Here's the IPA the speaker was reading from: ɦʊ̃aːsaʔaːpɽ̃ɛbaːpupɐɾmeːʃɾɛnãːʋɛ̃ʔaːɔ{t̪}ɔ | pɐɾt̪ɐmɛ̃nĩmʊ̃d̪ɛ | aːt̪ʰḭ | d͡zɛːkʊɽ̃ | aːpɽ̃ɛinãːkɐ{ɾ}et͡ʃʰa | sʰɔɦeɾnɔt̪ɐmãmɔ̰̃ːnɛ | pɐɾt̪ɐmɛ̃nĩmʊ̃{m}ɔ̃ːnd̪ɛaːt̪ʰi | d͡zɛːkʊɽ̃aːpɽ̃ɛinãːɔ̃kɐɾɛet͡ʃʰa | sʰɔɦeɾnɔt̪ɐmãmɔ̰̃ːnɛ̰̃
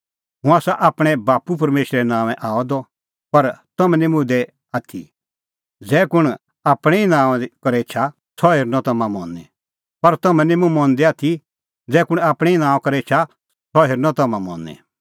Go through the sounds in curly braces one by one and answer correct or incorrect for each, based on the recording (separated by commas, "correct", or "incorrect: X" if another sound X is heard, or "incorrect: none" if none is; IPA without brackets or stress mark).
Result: incorrect: d̪, correct, correct